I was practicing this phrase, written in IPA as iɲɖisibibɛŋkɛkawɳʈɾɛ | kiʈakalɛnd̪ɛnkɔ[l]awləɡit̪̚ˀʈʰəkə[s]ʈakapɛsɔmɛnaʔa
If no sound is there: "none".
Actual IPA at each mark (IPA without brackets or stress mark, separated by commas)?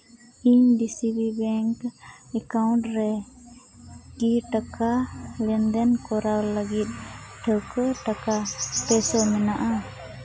ɾ, none